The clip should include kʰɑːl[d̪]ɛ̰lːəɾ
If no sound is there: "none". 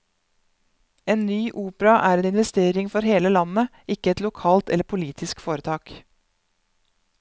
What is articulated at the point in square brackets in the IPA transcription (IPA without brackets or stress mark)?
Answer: t̪